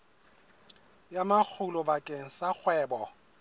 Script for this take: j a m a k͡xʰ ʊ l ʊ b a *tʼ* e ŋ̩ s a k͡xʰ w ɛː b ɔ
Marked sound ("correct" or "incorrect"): incorrect